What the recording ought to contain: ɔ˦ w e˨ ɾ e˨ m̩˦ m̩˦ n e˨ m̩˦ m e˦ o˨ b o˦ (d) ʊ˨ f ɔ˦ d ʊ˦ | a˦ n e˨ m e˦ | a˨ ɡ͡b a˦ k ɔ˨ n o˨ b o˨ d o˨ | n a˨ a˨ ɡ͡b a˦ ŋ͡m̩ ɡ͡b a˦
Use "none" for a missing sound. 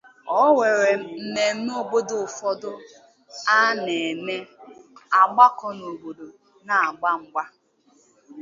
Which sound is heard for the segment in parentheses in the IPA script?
d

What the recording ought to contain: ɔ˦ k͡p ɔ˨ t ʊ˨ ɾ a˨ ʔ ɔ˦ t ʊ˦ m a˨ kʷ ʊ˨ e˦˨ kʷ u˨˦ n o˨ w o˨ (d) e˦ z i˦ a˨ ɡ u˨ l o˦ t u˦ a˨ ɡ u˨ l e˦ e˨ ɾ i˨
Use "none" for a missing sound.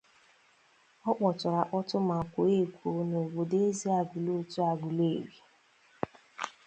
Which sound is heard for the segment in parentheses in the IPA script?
d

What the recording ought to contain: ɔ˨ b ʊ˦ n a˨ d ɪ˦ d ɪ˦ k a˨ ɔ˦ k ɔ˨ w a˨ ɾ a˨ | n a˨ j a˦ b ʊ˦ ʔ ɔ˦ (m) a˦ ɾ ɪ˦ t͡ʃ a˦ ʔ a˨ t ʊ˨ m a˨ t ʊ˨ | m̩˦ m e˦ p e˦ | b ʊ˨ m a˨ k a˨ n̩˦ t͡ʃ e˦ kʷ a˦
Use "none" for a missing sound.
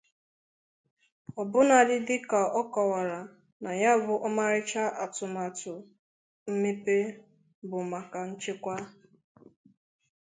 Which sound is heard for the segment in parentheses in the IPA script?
m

